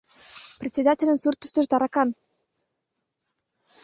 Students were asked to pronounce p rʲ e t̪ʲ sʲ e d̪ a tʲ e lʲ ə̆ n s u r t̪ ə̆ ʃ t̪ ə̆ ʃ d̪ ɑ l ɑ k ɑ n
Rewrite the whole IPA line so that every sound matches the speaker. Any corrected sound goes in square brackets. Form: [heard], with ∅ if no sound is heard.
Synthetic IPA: p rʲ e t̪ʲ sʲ e d̪ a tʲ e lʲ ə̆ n s u r t̪ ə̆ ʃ t̪ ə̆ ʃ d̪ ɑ [ɾ] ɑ k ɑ n